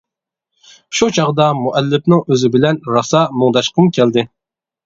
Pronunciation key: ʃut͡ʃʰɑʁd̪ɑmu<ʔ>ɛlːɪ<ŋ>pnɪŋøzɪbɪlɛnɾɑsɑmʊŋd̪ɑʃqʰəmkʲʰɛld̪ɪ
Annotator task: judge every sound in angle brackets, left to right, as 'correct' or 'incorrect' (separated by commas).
correct, incorrect